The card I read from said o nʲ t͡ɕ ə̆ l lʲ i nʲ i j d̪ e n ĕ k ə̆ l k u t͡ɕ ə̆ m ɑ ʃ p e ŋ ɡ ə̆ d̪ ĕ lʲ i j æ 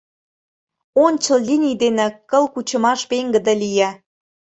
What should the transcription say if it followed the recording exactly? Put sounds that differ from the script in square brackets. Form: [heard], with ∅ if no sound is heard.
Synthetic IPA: o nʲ t͡ɕ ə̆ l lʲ i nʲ i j d̪ e n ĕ k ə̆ l k u t͡ɕ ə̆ m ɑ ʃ p e ŋ ɡ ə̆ d̪ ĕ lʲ i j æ